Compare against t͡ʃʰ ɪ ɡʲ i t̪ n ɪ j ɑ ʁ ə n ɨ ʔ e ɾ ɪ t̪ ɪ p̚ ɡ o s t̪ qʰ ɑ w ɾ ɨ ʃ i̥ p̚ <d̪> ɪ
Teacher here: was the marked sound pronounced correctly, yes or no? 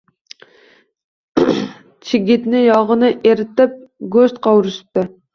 no